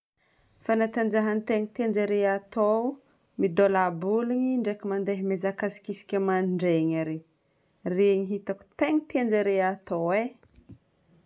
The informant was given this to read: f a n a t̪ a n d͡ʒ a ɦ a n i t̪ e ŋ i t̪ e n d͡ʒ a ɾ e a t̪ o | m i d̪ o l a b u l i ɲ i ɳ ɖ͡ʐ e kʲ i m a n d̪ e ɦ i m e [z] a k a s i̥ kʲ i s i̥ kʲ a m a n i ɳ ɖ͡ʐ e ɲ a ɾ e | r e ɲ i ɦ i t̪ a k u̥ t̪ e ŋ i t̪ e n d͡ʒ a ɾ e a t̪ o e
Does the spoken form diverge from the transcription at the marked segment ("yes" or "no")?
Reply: no